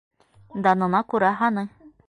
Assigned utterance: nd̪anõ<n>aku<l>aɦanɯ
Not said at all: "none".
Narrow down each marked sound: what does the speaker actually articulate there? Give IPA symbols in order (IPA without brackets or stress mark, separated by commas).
n, ɾ